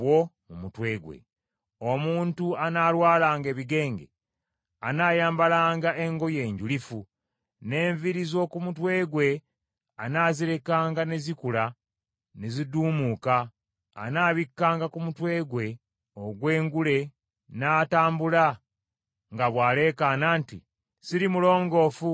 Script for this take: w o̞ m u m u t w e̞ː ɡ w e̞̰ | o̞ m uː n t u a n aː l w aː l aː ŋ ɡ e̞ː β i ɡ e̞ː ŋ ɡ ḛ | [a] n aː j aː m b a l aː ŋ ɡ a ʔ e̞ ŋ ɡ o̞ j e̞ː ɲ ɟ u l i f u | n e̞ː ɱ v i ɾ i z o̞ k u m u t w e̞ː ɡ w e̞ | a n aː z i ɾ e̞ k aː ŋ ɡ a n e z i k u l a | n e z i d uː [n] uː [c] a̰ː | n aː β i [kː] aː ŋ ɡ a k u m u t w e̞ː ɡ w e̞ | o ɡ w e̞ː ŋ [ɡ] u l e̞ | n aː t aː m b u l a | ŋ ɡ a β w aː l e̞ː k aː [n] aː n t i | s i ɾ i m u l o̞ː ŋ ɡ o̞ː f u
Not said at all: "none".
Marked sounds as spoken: a, m, k, kː, ɡ, n

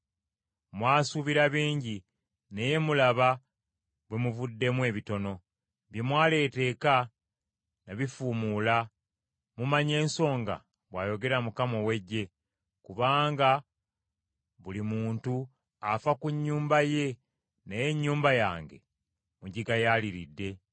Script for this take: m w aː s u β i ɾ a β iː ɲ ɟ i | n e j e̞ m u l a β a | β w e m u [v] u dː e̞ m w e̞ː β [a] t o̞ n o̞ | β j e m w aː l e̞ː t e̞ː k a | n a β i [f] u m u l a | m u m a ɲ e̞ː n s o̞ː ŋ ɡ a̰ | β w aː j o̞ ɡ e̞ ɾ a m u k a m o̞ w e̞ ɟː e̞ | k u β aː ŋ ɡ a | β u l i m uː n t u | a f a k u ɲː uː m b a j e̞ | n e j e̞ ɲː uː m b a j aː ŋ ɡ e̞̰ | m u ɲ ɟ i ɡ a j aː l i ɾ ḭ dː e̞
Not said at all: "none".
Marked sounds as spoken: v, i, f

